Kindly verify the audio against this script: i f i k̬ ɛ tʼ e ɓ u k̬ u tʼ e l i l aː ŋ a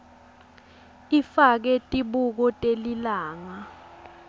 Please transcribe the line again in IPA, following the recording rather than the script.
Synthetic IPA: i f a k̬ ɛ tʼ i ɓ u k̬ ɔ tʼ e l i l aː ŋ a